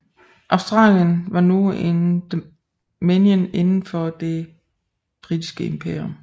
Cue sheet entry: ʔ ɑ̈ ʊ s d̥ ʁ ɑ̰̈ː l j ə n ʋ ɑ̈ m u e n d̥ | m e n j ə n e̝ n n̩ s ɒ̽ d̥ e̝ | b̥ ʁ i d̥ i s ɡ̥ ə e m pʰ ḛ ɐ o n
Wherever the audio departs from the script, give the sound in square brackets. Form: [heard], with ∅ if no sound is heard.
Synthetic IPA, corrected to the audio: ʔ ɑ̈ ʊ s d̥ ʁ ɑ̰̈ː l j ə n ʋ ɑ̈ [n] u e n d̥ | m e n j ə n e̝ n n̩ [f] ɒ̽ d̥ e̝ | b̥ ʁ i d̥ i s ɡ̥ ə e m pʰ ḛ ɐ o [m]